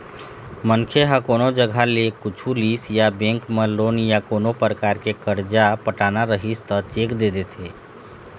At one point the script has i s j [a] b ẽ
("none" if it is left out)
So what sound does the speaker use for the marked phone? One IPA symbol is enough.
a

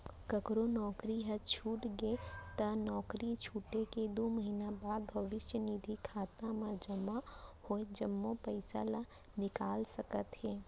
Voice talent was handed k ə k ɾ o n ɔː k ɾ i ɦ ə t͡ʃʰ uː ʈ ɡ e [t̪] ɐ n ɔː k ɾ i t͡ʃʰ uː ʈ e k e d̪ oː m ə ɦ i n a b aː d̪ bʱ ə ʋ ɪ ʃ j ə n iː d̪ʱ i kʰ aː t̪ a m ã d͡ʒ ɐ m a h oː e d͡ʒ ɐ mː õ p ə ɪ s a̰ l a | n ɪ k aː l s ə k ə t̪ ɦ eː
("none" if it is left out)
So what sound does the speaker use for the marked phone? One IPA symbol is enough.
t̪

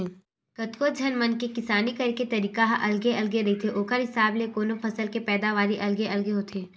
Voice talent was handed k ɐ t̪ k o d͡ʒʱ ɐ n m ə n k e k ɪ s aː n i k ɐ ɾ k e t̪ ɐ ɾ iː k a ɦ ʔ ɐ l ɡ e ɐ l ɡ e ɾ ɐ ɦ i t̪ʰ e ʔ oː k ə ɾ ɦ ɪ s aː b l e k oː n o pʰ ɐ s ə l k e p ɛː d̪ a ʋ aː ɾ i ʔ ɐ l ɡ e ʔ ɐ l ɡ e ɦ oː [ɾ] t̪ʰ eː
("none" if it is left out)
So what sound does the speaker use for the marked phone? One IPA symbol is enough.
none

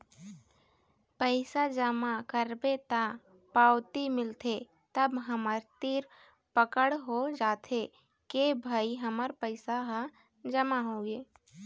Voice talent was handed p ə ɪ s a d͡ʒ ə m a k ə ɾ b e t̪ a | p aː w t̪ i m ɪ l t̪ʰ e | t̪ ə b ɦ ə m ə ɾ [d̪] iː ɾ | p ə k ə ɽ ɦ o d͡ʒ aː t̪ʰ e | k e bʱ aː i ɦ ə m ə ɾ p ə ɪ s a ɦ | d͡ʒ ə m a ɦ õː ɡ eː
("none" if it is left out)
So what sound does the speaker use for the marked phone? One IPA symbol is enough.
t̪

